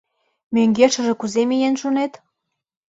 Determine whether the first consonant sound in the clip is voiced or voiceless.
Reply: voiced